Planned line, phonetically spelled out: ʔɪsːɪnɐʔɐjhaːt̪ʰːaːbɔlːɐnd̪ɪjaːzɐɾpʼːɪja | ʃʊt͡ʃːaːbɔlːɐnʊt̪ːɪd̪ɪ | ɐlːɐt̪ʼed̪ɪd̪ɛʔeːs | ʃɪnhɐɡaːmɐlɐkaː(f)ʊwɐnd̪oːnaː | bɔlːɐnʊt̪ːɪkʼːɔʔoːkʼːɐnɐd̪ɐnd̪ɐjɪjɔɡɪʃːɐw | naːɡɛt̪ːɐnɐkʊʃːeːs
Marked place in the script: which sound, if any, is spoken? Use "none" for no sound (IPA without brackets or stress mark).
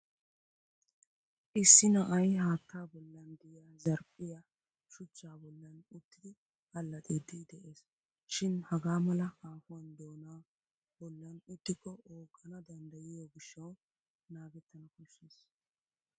f